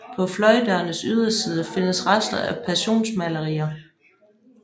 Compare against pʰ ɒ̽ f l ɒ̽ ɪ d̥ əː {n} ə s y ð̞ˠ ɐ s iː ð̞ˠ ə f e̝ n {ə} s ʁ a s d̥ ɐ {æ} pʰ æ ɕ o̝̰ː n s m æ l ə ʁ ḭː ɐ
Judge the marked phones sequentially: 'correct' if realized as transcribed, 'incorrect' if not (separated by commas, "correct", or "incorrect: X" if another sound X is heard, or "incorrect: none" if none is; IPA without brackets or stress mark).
correct, correct, correct